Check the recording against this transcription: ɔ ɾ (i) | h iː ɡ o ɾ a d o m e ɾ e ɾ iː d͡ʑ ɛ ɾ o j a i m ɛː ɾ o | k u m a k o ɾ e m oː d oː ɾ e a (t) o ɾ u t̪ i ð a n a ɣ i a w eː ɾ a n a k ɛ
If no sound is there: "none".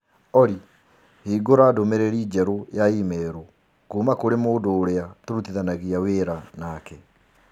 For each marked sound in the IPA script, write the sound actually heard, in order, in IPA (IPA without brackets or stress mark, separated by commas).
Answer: i, t